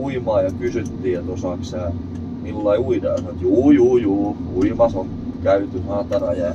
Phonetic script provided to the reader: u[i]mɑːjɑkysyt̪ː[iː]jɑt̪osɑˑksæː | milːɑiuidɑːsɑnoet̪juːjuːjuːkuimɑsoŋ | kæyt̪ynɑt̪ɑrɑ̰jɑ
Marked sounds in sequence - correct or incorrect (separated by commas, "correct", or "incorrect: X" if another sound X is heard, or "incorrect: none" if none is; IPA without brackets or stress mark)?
correct, correct